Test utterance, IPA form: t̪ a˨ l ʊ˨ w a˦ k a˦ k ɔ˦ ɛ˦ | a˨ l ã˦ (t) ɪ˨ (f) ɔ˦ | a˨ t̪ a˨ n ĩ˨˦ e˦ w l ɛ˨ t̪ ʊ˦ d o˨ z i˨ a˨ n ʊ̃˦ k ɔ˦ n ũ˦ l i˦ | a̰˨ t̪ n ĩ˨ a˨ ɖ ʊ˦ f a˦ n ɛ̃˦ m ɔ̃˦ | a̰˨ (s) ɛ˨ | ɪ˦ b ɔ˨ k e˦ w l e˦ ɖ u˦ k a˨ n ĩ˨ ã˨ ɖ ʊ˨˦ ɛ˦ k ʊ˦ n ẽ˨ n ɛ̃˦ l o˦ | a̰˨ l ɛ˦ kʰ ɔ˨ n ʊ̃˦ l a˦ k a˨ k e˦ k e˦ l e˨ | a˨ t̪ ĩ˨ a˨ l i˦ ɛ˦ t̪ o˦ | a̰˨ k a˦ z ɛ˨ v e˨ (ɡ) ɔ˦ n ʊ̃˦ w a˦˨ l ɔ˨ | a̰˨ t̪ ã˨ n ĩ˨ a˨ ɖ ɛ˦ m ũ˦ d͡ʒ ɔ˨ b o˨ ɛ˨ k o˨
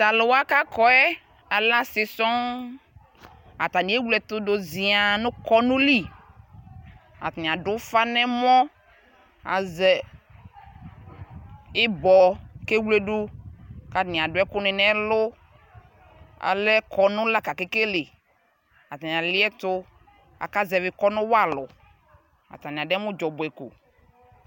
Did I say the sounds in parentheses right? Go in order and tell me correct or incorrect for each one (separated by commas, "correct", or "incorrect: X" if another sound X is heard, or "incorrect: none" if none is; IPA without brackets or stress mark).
incorrect: s, incorrect: s, incorrect: z, incorrect: k